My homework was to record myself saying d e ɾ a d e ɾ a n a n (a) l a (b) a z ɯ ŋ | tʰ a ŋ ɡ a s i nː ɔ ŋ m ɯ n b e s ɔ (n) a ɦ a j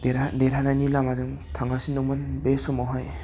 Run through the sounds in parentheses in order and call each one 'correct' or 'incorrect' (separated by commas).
incorrect, incorrect, incorrect